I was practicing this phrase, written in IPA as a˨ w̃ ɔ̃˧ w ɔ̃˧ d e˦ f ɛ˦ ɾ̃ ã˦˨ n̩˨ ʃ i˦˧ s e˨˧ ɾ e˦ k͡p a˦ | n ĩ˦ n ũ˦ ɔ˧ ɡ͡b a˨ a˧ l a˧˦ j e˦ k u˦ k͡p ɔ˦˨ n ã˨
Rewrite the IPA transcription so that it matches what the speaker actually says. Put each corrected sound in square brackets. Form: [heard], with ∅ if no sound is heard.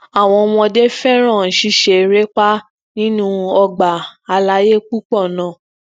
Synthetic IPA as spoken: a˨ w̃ ɔ̃˧ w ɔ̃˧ d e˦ f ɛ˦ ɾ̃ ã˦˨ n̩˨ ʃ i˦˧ [ʃ] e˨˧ ɾ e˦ k͡p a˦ | n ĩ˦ n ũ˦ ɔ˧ ɡ͡b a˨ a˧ l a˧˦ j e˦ [k͡p] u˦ k͡p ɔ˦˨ n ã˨